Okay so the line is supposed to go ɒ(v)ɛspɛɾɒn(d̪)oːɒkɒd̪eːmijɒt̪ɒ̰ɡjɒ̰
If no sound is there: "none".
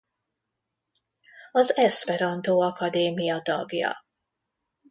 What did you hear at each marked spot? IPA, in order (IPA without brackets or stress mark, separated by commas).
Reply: z, t̪